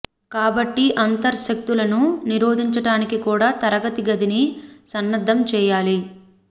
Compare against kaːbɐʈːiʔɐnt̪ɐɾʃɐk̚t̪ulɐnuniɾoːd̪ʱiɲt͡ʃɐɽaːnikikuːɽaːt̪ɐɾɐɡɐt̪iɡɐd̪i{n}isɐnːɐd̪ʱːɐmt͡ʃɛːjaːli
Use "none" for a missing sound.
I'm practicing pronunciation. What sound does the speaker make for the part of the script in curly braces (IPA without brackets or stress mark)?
n